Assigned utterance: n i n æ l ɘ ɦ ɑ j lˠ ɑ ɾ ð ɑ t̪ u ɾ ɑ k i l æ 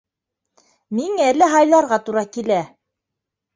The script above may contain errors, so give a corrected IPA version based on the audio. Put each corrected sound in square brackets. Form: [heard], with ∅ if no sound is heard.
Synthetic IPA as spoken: [m] i [ŋ] æ l ɘ ɦ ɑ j lˠ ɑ ɾ [ʁ] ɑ t̪ u ɾ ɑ k i l æ